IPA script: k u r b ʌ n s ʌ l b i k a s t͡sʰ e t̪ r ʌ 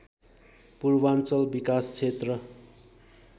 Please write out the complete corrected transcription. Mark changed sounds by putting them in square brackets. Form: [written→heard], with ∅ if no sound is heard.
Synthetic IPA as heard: [k→p] u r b [ʌ→a] n [s→t͡s] ʌ l b i k a s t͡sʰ e t̪ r ʌ